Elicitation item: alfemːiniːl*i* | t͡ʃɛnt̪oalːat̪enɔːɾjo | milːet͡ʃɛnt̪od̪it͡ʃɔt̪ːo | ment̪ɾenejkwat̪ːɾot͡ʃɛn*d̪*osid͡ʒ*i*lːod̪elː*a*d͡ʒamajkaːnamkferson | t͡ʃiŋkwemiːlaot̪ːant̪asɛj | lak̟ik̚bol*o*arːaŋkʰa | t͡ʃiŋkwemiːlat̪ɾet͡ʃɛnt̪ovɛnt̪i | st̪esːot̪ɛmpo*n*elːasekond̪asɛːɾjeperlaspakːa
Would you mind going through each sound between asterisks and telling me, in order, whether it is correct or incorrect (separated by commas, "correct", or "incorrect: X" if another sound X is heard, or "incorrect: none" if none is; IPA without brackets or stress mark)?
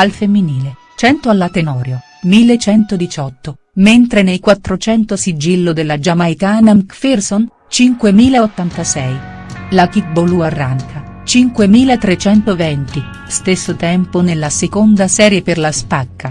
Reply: incorrect: e, incorrect: t̪, correct, correct, incorrect: u, correct